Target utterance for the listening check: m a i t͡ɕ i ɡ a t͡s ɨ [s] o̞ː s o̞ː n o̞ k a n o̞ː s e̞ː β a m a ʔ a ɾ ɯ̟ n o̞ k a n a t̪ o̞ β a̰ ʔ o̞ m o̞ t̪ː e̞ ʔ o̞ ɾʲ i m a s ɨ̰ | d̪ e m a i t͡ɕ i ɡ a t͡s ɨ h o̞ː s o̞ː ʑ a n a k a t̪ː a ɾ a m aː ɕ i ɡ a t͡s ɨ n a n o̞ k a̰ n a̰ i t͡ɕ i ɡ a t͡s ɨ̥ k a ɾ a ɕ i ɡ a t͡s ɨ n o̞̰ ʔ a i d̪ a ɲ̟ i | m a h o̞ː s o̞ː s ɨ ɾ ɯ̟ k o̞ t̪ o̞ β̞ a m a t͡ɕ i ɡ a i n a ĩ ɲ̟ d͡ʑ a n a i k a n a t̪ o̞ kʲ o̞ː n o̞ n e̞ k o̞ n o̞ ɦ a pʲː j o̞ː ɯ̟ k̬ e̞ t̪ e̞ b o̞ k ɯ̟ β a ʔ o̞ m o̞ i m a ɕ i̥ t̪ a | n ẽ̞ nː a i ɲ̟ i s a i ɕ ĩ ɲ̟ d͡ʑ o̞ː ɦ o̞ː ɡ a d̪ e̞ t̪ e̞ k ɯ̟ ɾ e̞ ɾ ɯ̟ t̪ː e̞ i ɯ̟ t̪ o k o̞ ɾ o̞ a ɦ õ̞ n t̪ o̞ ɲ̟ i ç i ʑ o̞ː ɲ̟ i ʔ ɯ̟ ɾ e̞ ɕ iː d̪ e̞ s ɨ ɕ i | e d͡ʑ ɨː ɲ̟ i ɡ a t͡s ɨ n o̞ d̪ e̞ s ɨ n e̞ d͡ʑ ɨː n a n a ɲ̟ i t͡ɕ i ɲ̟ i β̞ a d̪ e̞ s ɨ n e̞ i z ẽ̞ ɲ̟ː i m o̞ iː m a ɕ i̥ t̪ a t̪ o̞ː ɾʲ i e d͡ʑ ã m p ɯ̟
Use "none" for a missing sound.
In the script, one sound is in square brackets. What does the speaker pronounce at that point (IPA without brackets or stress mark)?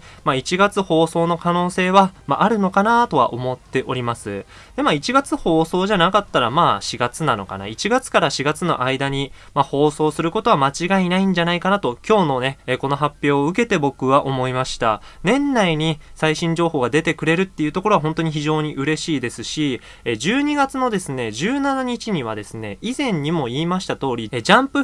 h